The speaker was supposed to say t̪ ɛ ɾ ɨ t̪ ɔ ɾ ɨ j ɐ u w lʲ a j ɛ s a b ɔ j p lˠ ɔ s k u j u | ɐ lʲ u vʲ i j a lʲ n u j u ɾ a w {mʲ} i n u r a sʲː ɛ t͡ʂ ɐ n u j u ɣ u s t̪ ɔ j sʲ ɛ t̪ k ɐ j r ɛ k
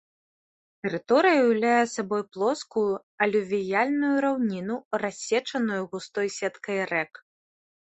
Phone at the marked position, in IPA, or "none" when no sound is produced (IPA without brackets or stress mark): nʲ